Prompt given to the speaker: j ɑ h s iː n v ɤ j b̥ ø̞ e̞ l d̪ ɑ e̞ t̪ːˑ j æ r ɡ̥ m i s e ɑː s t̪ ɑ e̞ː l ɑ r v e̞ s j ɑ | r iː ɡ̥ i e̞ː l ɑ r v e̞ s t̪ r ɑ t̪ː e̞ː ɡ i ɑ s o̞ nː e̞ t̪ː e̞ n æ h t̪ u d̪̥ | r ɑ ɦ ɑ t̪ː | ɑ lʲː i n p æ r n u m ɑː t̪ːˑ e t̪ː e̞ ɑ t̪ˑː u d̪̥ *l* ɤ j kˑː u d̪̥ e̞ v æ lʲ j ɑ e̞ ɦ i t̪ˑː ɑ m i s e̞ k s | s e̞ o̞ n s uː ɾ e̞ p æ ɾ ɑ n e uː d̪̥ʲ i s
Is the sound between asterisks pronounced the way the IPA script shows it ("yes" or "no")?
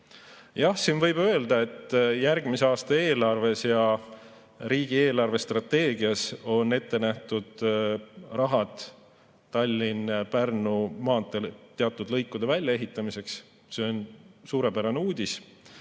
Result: yes